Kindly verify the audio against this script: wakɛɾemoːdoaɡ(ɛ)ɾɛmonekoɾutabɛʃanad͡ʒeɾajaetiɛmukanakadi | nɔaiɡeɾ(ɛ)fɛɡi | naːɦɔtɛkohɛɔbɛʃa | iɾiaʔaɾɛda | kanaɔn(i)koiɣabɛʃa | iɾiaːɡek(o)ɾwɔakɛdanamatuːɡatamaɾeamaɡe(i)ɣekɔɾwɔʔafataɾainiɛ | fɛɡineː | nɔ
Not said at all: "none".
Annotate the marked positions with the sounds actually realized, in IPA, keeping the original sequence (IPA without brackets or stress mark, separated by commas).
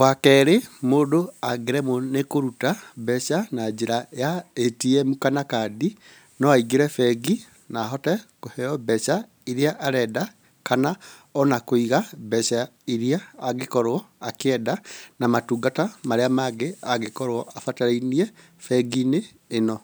e, ɛ, a, ɔ, a